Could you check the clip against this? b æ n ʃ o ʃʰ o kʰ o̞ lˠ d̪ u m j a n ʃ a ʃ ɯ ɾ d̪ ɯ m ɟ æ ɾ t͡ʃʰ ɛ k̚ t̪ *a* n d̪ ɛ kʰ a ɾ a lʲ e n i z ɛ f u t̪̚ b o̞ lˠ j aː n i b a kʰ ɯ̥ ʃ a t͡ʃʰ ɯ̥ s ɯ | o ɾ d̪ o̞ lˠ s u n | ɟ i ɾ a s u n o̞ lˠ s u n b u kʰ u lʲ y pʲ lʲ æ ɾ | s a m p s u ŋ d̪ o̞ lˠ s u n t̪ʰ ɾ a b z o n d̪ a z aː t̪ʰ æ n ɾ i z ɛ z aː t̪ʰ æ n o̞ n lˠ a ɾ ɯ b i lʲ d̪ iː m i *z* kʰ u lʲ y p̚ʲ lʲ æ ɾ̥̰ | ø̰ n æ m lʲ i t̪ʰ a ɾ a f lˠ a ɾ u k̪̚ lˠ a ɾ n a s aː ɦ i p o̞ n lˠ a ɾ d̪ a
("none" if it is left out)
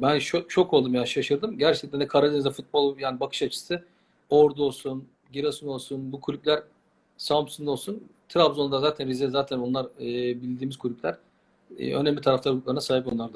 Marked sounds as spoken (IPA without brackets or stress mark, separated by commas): æ, z